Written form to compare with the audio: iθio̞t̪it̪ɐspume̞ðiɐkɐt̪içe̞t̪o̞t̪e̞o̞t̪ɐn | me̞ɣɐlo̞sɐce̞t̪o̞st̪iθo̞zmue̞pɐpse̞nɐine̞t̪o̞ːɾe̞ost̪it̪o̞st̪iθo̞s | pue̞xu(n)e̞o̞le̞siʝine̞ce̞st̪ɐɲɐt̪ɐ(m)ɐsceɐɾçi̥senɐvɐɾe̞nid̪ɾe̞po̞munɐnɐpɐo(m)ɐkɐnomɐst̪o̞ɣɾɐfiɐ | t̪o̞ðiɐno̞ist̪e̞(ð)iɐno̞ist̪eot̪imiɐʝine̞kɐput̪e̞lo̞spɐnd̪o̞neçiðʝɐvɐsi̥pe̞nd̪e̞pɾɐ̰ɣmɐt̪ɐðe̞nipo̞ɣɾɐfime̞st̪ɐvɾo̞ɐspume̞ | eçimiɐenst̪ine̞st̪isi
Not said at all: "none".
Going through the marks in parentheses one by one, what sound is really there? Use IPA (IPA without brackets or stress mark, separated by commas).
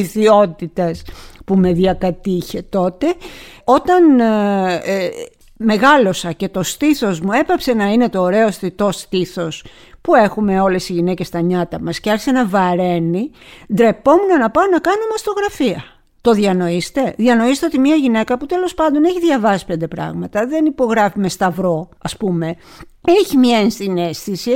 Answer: m, m, n, ð